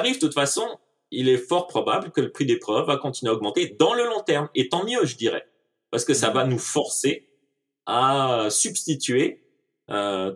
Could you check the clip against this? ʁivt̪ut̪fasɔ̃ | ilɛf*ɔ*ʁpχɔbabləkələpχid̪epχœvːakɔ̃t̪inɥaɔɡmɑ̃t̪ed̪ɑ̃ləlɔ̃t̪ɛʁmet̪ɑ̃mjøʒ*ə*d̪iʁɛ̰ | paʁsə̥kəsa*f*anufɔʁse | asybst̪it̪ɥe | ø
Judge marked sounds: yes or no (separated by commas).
yes, yes, no